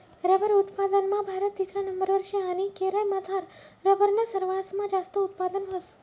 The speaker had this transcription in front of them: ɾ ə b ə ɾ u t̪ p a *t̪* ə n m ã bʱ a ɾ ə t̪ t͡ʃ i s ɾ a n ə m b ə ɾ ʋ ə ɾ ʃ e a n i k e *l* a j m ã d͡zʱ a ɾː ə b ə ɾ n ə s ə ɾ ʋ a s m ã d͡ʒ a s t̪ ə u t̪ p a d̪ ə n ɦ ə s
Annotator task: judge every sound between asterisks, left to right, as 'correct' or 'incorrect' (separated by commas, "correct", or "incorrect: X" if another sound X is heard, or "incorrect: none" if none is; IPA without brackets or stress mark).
incorrect: d̪, incorrect: ɾ